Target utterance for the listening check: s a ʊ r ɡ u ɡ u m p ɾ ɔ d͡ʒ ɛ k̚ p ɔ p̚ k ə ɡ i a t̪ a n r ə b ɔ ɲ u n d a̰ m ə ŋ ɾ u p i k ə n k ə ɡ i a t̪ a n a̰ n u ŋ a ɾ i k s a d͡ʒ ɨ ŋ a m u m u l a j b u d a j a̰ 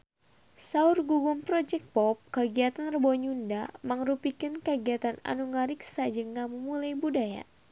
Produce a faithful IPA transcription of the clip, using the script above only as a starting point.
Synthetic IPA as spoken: s a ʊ r ɡ u ɡ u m p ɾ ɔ d͡ʒ ɛ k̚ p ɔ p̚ k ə ɡ i a t̪ a n r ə b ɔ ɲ u n d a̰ m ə ŋ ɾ u p i k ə n k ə ɡ i a t̪ a n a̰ n u ŋ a ɾ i k s a d͡ʒ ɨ ŋ a m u m u l a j b u d a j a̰